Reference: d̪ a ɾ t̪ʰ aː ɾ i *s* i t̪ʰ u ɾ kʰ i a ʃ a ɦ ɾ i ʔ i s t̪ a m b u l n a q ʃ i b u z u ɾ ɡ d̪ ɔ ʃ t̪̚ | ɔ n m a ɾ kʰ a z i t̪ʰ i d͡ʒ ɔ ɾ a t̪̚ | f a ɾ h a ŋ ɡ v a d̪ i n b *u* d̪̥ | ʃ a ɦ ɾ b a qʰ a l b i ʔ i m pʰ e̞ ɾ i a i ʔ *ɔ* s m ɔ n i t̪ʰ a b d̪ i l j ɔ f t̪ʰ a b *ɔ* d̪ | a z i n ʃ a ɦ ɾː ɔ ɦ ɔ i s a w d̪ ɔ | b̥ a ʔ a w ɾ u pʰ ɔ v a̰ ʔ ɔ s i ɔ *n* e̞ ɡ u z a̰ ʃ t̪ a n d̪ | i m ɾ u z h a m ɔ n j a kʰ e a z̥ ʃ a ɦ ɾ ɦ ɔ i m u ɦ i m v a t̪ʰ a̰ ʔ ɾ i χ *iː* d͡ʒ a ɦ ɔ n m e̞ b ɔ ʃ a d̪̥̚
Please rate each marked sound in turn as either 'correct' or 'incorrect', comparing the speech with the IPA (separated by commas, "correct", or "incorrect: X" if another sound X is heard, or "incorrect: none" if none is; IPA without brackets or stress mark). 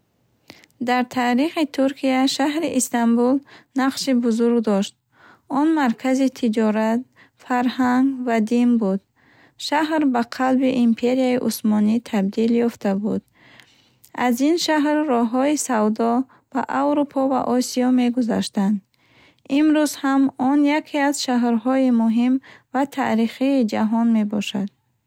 incorrect: χ, correct, incorrect: u, incorrect: u, incorrect: m, correct